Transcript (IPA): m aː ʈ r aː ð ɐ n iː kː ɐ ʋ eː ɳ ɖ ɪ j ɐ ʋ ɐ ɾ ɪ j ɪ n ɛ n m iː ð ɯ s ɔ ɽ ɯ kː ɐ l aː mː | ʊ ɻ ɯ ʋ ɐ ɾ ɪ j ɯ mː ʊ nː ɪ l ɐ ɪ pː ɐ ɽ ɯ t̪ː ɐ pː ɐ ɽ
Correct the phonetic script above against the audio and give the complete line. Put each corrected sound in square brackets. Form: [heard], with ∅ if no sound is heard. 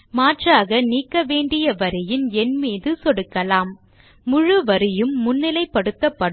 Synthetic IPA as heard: m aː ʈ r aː [ɣ] ɐ n iː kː ɐ ʋ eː ɳ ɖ ɪ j ɐ ʋ ɐ ɾ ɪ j ɪ n ɛ n m iː ð ɯ s ɔ ɽ ɯ kː ɐ l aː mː | ʊ ɻ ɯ ʋ ɐ ɾ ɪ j ɯ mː ʊ nː ɪ l ɐ ɪ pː ɐ ɽ ɯ t̪ː ɐ pː ɐ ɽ